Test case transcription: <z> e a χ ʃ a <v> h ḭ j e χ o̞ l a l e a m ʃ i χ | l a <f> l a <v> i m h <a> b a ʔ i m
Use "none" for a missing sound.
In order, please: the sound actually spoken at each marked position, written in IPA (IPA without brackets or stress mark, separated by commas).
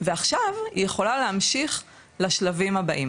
v, v, ʃ, v, a